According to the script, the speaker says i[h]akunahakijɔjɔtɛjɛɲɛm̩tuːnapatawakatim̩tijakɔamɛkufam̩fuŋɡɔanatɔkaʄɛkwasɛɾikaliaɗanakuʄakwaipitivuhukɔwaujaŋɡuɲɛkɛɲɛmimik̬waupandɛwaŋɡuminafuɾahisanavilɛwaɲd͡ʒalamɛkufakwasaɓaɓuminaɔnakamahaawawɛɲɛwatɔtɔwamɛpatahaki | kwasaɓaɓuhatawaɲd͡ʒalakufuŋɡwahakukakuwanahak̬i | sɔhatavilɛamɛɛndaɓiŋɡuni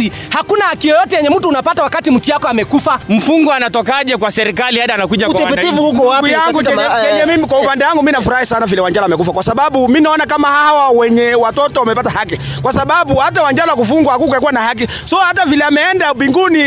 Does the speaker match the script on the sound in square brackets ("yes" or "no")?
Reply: yes